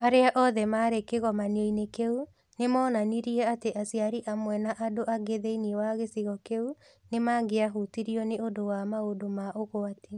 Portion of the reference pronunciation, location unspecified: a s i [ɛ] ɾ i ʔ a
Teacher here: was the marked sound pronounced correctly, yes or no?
no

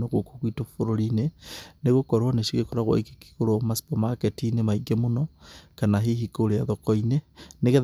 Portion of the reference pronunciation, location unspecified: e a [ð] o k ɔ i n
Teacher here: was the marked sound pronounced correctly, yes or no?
yes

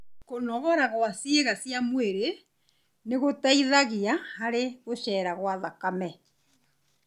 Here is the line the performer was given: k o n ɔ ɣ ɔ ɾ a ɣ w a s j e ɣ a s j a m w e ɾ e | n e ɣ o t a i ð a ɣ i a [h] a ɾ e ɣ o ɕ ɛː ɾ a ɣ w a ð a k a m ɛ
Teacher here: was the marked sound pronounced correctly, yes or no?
yes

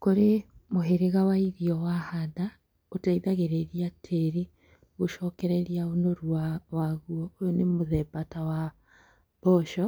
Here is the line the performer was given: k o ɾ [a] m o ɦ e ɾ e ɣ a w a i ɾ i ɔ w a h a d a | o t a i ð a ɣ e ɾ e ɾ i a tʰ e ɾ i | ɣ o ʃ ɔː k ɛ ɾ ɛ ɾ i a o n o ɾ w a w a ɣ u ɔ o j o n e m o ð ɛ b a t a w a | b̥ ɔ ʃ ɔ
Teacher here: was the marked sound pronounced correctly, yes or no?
no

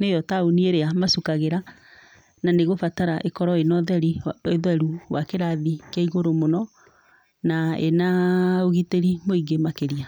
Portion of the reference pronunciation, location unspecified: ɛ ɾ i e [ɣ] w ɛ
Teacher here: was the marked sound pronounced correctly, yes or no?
no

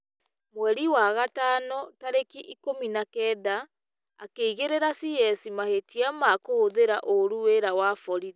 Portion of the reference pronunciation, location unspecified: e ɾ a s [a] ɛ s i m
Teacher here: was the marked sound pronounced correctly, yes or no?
no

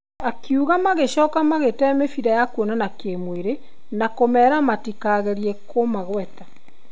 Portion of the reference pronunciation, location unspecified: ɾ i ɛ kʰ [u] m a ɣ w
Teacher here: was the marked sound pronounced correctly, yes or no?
no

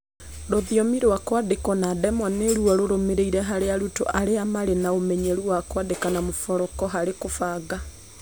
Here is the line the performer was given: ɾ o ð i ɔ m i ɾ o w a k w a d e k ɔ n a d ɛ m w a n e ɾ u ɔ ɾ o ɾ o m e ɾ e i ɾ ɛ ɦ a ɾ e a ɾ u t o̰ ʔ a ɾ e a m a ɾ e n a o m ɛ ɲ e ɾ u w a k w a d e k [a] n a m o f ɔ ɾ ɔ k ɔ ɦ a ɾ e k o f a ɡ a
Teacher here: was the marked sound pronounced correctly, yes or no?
yes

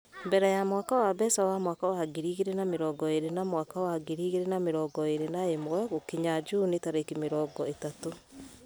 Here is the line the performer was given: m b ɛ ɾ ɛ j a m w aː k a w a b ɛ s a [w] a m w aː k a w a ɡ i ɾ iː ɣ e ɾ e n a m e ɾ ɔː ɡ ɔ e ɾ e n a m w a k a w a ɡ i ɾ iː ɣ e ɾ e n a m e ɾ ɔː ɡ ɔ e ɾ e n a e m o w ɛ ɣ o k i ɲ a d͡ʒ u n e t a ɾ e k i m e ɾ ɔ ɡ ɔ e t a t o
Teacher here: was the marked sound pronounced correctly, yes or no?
yes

